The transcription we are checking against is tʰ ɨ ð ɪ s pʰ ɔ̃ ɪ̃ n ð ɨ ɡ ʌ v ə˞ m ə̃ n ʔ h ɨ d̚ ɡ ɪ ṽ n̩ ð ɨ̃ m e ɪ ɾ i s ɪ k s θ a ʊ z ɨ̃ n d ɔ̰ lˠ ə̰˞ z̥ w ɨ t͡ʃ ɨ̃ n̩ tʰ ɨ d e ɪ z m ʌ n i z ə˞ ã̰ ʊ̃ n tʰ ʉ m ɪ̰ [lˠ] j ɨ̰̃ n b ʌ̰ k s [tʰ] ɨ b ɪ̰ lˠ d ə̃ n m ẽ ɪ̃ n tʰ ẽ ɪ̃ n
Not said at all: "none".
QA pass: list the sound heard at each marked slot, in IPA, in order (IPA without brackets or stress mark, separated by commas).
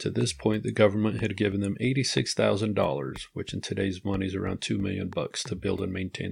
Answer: lˠ, tʰ